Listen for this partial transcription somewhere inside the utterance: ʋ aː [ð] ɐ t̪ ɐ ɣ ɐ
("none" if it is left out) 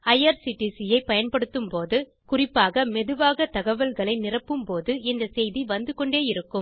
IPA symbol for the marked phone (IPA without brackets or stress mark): ɣ